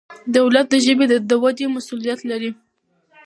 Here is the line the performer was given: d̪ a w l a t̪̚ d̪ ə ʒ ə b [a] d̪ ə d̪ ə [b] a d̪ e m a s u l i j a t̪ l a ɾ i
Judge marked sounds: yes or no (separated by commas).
no, no